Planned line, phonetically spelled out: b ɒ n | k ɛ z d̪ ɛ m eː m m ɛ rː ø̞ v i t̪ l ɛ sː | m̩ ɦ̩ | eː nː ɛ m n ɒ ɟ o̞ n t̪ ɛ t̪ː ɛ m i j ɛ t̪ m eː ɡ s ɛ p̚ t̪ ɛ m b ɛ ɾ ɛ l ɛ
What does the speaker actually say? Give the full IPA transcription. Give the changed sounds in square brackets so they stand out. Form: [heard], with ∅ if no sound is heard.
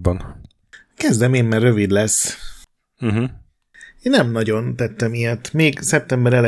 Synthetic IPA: b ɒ n | k ɛ z d̪ ɛ m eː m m ɛ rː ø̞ v i [d̪] l ɛ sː | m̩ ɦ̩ | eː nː ɛ m n ɒ ɟ o̞ n t̪ ɛ t̪ː ɛ m i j ɛ t̪ m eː ɡ s ɛ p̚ t̪ ɛ m b ɛ ɾ ɛ l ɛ